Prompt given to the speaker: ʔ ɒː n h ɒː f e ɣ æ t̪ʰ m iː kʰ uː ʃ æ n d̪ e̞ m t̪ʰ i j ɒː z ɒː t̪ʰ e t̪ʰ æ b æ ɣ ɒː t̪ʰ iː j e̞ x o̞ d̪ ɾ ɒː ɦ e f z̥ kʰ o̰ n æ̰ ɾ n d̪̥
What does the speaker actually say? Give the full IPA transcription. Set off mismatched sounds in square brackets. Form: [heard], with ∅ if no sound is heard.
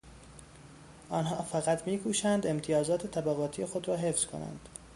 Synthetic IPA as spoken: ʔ ɒː n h ɒː f [æ] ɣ æ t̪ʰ m iː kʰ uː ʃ æ n d̪ e̞ m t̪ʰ i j ɒː z ɒː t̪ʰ e t̪ʰ æ b æ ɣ ɒː t̪ʰ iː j e̞ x o̞ d̪ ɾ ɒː ɦ e f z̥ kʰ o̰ n æ̰ [∅] n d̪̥